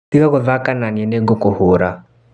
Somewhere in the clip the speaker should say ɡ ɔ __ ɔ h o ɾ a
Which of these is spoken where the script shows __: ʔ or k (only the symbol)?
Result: k